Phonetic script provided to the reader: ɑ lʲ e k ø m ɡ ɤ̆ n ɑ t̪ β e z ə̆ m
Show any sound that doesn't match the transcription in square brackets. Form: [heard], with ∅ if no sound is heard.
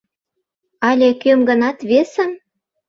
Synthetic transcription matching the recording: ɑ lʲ e k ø m ɡ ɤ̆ n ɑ t̪ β e [s] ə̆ m